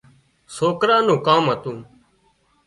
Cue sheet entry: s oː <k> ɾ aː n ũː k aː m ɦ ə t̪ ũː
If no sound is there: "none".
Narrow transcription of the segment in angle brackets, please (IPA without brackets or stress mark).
k